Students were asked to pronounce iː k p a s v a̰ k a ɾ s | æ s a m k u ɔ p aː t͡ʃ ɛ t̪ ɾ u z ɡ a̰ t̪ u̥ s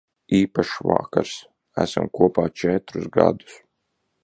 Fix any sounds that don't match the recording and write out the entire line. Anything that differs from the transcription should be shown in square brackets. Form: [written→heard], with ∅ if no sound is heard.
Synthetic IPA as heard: iː [k→∅] p a [s→ʃ] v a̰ k a ɾ s | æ s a m k u ɔ p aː t͡ʃ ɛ t̪ ɾ u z ɡ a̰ [t̪→d̪] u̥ s